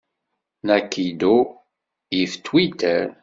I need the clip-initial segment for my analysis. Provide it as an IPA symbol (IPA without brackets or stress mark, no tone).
n